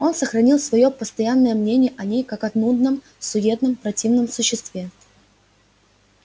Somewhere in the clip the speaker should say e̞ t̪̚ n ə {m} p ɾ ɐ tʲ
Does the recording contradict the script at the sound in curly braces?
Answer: no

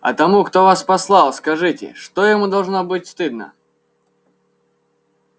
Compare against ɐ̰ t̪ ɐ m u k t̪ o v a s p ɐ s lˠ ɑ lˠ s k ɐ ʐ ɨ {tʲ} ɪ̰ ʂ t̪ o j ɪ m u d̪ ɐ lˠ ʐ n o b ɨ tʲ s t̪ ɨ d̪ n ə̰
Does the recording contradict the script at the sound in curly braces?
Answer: no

